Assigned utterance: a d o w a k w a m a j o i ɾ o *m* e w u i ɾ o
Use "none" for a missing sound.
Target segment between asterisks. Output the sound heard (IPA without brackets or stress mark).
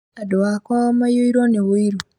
n